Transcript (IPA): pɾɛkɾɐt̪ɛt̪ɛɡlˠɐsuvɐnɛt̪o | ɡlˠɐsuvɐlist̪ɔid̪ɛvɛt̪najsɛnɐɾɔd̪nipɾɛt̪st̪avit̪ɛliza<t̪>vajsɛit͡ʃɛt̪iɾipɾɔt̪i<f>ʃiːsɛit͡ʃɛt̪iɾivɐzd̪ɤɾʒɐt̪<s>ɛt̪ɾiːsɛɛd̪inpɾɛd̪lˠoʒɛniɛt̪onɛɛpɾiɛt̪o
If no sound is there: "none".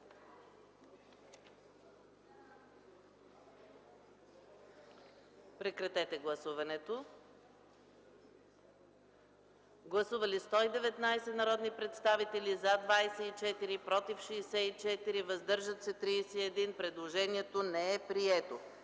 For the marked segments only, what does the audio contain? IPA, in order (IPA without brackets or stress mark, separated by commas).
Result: d̪, f, s